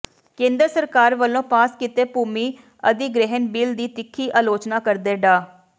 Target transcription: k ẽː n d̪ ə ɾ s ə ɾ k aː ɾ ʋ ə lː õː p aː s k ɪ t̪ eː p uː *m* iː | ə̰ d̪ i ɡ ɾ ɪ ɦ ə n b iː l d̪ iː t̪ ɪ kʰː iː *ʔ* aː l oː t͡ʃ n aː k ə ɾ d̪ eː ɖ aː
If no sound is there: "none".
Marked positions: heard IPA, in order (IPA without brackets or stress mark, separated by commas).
m, ʔ